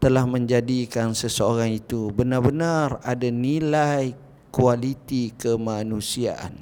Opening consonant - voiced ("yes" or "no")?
no